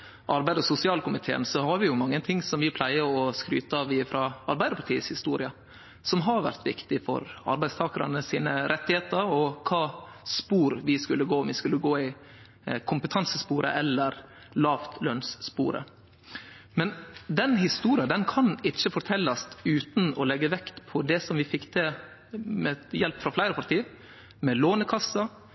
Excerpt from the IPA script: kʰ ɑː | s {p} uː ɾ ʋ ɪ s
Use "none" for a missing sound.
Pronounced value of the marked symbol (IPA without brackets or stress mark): p